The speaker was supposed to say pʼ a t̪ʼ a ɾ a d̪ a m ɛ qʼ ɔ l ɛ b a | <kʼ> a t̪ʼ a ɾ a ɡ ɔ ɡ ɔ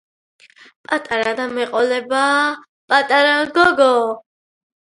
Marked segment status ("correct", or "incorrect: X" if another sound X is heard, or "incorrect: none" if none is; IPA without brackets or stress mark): incorrect: pʼ